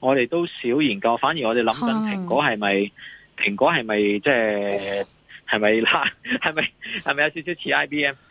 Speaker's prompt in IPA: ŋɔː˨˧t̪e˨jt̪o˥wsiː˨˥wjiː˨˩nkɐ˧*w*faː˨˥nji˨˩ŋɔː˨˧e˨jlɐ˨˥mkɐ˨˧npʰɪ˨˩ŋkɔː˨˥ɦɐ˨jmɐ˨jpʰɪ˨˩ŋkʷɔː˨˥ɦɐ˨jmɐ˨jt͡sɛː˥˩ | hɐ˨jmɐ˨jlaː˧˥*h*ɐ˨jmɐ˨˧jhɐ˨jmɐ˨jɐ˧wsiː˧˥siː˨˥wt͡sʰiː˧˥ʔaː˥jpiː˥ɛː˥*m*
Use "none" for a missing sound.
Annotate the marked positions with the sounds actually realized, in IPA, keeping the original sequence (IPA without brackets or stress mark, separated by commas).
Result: w, h, m